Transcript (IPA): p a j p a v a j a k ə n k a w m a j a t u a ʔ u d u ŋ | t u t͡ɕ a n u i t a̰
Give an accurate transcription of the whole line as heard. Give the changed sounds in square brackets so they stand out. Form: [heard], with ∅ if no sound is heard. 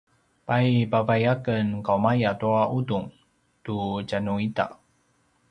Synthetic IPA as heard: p a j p a v a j a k ə n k a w m a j a t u a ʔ u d u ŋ | t u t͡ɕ a n u i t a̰